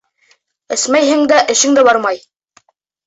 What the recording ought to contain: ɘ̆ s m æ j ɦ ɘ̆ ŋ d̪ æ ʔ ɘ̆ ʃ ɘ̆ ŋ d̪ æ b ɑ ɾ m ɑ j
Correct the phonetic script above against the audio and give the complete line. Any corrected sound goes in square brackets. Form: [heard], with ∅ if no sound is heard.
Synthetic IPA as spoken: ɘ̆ s m æ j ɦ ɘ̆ ŋ d̪ æ ʔ ɘ̆ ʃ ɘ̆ ŋ d̪ æ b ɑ ɾ m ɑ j